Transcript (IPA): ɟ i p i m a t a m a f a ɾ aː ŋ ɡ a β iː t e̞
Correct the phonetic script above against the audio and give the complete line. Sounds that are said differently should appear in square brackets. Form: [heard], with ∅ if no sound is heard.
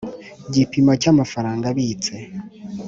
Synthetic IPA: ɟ i p i m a [c] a m a f a ɾ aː ŋ ɡ a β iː [t͡s] e̞